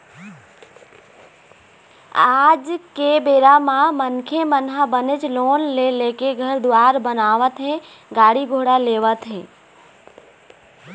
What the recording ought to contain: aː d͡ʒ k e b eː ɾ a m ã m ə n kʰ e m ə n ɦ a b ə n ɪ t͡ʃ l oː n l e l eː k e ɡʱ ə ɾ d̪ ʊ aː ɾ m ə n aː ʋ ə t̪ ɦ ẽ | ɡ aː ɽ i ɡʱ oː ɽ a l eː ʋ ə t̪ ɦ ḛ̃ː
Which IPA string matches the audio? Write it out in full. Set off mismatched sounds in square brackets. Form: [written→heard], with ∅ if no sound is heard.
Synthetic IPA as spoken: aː d͡ʒ k e b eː ɾ a m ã m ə n kʰ e m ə n ɦ a b ə n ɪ t͡ʃ l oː n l e l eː k e ɡʱ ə ɾ d̪ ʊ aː ɾ [m→b] ə n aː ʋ ə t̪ ɦ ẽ | ɡ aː ɽ i ɡʱ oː ɽ a l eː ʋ ə t̪ ɦ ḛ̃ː